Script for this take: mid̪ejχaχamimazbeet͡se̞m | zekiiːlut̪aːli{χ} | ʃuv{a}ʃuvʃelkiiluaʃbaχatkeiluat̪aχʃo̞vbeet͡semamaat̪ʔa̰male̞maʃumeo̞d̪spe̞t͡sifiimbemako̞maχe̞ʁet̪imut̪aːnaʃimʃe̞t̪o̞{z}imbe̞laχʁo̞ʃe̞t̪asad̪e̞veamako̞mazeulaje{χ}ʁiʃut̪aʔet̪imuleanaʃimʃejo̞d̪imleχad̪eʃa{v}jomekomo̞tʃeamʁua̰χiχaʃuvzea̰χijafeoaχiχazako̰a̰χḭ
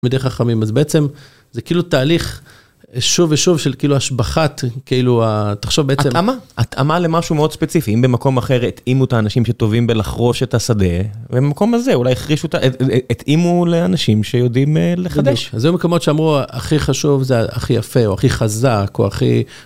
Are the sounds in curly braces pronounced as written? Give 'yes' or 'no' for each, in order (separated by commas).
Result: yes, no, no, yes, no